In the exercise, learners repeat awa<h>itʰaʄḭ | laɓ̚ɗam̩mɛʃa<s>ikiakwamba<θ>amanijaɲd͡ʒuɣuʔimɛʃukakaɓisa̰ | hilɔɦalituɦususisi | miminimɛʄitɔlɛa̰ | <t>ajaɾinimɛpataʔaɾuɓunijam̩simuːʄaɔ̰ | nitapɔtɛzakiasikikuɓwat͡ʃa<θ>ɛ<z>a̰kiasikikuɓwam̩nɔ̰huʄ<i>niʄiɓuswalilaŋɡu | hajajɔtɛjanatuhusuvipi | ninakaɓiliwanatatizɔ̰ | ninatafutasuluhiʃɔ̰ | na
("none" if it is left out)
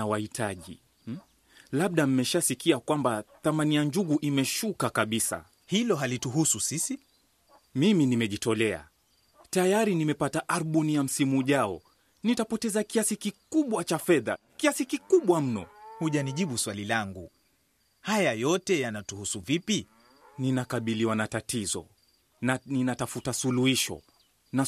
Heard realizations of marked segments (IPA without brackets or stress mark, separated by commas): h, s, θ, t, f, ð, a